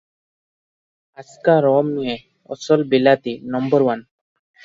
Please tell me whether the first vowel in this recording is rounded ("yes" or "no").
no